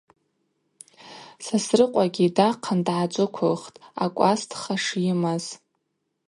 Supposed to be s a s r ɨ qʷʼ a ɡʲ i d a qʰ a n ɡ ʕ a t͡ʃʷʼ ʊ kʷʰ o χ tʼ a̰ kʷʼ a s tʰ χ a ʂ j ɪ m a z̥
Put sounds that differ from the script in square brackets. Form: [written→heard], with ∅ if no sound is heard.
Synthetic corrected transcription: s a s r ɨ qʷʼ a ɡʲ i d a qʰ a n [ɡ→d] ʕ a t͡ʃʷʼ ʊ kʷʰ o χ tʼ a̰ kʷʼ a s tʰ χ a ʂ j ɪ m a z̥